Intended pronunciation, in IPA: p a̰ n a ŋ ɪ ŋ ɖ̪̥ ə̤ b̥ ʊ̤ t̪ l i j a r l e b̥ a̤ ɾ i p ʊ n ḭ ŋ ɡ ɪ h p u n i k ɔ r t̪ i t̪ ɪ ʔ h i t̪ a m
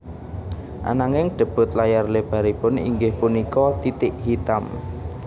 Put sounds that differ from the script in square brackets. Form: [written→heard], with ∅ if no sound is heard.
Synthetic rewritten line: [p→ʔ] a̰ n a ŋ ɪ ŋ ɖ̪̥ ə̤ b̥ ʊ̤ t̪ l [i→a] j a r l e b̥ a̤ ɾ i p ʊ n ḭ ŋ ɡ ɪ h p u n i k ɔ [r→∅] t̪ i t̪ ɪ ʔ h i t̪ a m

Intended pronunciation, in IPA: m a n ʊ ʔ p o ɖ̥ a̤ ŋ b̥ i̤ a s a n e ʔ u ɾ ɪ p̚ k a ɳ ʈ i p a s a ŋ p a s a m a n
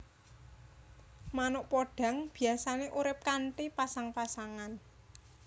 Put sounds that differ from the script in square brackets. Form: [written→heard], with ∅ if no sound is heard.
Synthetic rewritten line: m a n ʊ ʔ p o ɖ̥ a̤ ŋ b̥ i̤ a s a n e ʔ u ɾ ɪ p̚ k a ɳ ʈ i p a s a ŋ p a s a [m→ŋ] a n

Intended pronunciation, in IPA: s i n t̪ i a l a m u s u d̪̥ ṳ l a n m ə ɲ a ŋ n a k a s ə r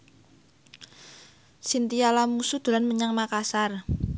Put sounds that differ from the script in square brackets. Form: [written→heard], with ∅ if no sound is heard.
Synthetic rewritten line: s i n t̪ i a l a m u s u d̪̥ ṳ l a n m ə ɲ a ŋ [n→m] a k a s [ə→a] r

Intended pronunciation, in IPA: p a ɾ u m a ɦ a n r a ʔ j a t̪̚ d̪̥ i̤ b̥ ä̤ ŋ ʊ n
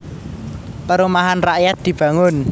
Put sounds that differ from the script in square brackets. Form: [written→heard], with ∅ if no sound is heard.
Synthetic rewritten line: p [a→ə] ɾ u m a ɦ a n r a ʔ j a t̪̚ d̪̥ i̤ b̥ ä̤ ŋ ʊ n

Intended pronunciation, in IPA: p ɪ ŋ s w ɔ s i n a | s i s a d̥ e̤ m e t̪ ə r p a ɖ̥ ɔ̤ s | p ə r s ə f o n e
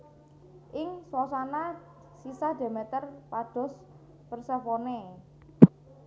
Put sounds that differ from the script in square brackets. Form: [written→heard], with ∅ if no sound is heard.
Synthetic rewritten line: [p→ʔ] ɪ ŋ s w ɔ s [i→a] n a | s i s a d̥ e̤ m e t̪ ə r p a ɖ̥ ɔ̤ s | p ə r s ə f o n e

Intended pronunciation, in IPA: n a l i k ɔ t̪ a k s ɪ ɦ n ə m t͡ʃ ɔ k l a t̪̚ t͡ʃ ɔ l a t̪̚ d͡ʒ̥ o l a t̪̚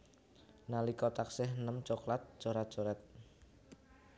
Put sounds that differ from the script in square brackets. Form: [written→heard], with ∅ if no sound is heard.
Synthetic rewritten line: n a l i k ɔ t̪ a k s ɪ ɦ n ə m t͡ʃ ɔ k l a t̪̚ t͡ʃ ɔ [l→ɾ] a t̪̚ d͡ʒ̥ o [l→ɾ] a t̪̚

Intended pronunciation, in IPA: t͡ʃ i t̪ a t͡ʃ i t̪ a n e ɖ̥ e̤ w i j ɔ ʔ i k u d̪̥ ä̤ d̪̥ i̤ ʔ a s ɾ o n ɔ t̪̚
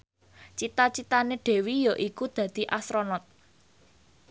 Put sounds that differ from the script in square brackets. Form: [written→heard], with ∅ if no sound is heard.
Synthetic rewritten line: t͡ʃ i t̪ a t͡ʃ i t̪ a n e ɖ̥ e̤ w i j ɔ ʔ i k u d̪̥ ä̤ d̪̥ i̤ ʔ a s ɾ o n ɔ t̪̚

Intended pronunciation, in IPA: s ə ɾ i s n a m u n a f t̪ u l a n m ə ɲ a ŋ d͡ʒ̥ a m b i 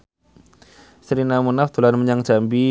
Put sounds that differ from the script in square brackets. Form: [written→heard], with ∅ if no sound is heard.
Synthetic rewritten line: s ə ɾ i [s→∅] n a m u n a f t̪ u l a n m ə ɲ a ŋ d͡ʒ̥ a m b i

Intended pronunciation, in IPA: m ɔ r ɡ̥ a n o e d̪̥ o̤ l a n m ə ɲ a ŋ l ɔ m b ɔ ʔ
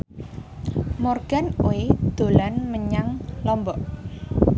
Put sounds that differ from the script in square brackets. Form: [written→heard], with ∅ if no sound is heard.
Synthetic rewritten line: m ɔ r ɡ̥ a n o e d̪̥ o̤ l a n m ə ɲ a ŋ l ɔ m b ɔ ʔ

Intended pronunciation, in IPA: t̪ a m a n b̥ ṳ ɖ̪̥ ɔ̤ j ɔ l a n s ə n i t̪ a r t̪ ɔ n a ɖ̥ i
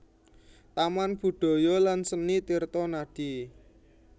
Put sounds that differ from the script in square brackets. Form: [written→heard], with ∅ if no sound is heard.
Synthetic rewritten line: t̪ a m a n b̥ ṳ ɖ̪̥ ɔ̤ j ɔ l a n s ə n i t̪ [a→i] r t̪ ɔ n a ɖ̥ i

